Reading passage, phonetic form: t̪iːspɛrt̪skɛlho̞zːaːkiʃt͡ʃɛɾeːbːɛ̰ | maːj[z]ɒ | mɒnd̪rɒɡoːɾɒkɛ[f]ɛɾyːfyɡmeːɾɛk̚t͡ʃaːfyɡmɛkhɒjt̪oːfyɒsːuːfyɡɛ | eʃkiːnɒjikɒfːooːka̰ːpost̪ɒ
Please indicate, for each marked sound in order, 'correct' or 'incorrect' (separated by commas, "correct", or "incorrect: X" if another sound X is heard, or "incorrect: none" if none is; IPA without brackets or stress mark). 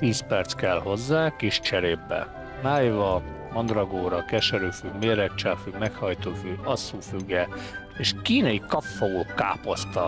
incorrect: v, incorrect: ʃ